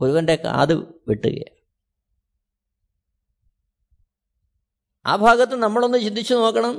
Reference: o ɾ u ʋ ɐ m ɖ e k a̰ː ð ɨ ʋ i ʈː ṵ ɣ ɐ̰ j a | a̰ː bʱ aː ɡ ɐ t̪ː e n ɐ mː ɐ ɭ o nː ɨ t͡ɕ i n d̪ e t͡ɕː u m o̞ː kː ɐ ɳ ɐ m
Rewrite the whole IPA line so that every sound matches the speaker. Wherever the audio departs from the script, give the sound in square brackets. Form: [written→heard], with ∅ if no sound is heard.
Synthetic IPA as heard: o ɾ u ʋ ɐ [m→n] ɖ e k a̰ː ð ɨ ʋ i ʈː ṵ ɣ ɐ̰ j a | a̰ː bʱ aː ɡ ɐ t̪ː e n ɐ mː ɐ ɭ o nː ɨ t͡ɕ i n d̪ [e→i] t͡ɕː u [m→n] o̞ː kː ɐ ɳ ɐ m